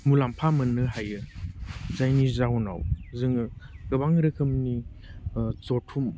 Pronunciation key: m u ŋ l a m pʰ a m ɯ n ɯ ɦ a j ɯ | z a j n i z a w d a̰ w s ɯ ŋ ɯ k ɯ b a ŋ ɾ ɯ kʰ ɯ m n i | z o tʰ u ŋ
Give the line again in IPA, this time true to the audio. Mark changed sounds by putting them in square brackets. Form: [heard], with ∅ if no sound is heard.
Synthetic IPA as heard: m u [∅] l a m pʰ a m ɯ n ɯ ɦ a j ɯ | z a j n i z a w [n] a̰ w [z] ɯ ŋ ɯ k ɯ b a ŋ ɾ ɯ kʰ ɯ m n i | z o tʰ u [m]